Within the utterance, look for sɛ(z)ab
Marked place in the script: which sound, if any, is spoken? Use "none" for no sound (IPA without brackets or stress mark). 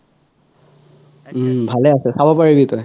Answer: s